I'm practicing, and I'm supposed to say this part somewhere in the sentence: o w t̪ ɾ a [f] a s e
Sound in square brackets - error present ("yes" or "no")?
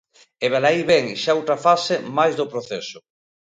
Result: no